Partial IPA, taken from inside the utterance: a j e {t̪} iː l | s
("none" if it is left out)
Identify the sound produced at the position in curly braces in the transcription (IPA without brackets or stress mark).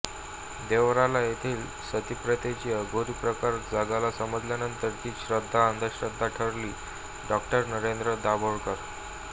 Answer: t̪ʰ